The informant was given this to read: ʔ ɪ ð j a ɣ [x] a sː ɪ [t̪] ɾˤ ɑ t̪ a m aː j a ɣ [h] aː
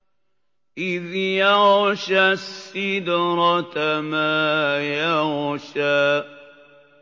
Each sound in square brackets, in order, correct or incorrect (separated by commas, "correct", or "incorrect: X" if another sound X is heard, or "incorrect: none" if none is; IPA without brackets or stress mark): incorrect: ʃ, incorrect: d̪, incorrect: ʃ